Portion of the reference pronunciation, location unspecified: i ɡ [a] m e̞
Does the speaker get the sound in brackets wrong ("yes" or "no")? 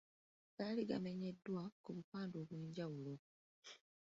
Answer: no